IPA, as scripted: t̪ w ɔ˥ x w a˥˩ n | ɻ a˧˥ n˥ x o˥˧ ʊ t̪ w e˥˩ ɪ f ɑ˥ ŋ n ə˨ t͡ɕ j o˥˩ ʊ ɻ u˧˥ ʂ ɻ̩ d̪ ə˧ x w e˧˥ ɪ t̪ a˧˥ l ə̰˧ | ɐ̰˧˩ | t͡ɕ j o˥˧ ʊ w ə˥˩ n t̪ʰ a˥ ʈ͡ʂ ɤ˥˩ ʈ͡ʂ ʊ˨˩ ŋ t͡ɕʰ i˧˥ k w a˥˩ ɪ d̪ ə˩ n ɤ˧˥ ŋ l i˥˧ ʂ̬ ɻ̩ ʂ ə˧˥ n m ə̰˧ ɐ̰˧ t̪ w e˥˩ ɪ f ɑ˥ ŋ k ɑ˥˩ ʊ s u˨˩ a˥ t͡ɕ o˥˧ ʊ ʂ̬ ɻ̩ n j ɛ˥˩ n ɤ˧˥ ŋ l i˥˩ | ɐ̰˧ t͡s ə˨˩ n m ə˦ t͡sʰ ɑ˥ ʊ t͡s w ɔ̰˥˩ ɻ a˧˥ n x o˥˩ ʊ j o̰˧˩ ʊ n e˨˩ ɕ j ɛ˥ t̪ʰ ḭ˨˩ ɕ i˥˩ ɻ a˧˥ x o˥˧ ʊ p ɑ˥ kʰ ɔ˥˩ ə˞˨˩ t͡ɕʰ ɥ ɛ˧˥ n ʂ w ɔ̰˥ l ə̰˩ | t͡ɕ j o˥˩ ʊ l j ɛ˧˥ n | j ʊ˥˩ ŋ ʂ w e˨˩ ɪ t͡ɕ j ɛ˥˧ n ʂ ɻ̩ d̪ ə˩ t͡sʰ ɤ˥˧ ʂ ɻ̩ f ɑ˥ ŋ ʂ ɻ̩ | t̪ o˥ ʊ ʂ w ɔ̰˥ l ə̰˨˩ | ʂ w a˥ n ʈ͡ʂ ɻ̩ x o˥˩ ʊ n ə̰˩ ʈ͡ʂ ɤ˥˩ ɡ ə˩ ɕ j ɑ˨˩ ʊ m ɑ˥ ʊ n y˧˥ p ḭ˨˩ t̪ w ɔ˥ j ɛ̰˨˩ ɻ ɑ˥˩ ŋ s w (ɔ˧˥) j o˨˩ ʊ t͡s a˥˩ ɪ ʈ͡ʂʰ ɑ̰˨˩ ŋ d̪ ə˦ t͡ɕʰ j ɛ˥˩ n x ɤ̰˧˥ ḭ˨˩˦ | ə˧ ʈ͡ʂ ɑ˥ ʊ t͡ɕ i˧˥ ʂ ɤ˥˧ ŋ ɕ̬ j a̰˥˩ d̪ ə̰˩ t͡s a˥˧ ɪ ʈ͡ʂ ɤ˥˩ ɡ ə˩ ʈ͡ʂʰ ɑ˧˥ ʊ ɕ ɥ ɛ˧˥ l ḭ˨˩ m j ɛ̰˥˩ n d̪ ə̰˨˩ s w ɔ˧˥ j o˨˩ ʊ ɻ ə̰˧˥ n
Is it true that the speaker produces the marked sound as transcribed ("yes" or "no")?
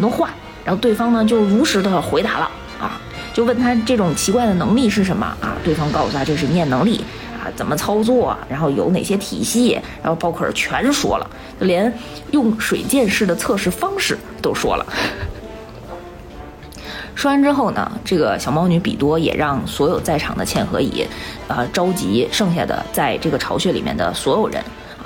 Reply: yes